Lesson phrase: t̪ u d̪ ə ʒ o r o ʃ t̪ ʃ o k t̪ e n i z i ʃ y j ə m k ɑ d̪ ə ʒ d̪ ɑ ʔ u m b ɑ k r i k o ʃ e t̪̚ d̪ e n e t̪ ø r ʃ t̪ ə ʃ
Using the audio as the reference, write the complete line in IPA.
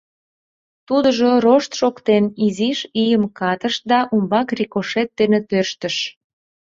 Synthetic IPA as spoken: t̪ u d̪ ə ʒ o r o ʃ t̪ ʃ o k t̪ e n i z i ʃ i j ə m k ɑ t̪ ə ʃ d̪ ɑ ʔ u m b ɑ k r i k o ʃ e t̪̚ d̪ e n e t̪ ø r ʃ t̪ ə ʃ